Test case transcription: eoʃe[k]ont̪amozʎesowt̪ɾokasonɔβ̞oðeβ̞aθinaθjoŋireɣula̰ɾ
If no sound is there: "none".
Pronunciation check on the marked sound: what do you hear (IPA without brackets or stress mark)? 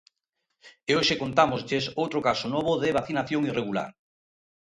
k